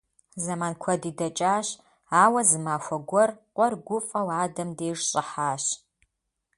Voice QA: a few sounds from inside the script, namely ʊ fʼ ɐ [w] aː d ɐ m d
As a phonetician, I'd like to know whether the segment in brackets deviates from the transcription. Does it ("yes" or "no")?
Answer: no